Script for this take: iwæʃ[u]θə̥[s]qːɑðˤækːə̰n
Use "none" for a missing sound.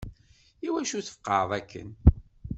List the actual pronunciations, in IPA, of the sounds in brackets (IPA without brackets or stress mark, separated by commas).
u, f